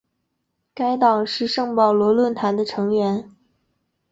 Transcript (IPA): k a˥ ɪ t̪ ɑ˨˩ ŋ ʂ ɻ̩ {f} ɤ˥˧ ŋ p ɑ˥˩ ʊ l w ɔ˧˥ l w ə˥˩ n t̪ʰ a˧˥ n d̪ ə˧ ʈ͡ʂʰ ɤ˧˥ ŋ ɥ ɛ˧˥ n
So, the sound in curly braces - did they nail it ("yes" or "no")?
no